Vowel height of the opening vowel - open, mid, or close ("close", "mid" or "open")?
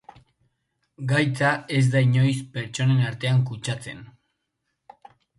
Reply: open